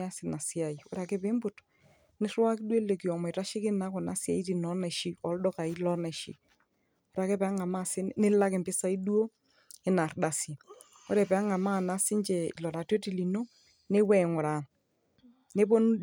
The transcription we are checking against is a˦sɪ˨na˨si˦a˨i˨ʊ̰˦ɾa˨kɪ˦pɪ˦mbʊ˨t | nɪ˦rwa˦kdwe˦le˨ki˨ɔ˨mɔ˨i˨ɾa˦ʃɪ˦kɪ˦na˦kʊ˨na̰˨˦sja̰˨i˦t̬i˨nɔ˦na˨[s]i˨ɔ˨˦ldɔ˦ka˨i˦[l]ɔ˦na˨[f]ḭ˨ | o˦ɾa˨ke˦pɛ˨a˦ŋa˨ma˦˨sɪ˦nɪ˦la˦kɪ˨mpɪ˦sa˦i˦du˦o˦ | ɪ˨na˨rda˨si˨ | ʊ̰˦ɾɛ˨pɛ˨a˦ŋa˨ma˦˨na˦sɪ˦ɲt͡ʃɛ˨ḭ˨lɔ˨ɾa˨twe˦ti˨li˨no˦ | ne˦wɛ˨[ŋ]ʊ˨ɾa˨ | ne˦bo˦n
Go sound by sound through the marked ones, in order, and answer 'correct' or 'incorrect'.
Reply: incorrect: ʃ, correct, incorrect: ʃ, correct

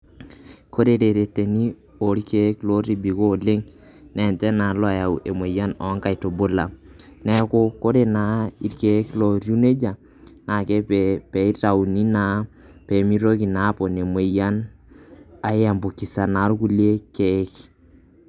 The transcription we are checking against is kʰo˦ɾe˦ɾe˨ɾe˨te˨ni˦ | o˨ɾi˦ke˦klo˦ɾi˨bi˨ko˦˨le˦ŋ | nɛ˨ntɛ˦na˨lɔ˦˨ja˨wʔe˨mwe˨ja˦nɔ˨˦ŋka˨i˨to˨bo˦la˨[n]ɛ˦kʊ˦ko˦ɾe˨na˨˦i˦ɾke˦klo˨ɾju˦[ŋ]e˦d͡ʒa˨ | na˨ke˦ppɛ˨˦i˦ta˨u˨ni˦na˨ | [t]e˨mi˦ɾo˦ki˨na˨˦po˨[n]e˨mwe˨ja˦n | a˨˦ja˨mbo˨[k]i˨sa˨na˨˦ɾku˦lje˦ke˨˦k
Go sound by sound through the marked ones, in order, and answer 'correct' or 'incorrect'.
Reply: correct, incorrect: n, incorrect: p, correct, correct

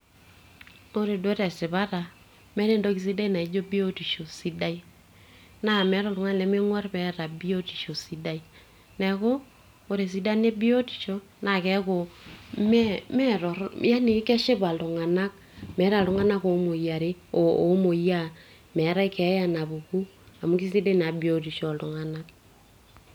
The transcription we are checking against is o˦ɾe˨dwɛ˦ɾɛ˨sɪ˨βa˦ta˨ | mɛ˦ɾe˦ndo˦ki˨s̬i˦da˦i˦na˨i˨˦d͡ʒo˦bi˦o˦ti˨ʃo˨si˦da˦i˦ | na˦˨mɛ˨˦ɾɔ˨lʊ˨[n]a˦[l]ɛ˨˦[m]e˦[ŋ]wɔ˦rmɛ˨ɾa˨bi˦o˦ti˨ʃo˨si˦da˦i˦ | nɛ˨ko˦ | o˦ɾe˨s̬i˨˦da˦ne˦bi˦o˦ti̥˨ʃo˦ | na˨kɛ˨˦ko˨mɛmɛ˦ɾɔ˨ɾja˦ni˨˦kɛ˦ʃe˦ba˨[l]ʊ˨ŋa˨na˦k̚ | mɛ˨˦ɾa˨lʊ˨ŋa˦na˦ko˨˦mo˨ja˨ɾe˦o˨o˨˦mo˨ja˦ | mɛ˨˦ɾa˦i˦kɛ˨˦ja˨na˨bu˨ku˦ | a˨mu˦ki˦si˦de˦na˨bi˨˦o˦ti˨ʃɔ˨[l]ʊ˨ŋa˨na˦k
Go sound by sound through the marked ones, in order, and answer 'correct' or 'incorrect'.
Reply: incorrect: ŋ, correct, correct, correct, correct, correct

